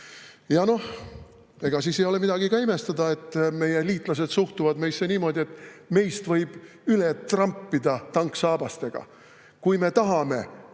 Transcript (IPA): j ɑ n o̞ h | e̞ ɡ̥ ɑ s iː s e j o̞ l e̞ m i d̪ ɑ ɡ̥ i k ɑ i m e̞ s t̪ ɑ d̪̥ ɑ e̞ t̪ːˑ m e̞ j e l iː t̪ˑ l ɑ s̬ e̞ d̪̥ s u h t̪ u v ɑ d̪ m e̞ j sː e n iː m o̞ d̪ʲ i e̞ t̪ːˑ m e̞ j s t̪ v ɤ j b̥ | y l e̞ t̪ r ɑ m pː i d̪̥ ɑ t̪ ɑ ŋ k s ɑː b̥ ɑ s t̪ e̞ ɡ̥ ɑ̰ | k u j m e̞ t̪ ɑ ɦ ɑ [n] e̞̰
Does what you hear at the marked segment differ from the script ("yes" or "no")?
yes